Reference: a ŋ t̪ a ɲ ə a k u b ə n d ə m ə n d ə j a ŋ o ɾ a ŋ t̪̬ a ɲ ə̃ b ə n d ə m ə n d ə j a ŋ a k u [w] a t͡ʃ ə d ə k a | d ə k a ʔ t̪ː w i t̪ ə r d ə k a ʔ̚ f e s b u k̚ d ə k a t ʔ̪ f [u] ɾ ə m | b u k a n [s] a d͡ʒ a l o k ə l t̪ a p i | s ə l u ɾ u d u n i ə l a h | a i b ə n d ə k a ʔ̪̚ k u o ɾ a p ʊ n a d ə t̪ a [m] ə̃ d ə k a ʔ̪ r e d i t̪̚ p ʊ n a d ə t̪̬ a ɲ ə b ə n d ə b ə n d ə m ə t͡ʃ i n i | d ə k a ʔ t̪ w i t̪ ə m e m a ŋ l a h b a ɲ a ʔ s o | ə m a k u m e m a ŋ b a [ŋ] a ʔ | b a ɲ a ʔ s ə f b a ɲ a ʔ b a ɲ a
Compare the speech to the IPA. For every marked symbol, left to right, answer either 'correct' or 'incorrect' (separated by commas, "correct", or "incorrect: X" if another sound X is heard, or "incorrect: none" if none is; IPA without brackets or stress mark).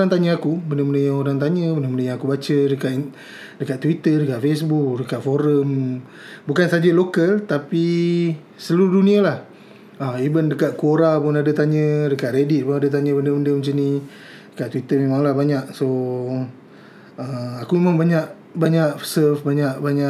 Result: incorrect: b, incorrect: o, correct, incorrect: ɲ, incorrect: ɲ